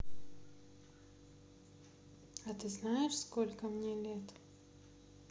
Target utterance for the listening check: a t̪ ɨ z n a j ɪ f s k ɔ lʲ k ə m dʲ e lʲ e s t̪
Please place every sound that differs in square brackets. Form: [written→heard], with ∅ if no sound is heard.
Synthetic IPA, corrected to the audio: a t̪ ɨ z n a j ɪ [f→ʂ] s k [ɔ→o] lʲ k ə m [dʲ→nʲ] e lʲ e [s→∅] t̪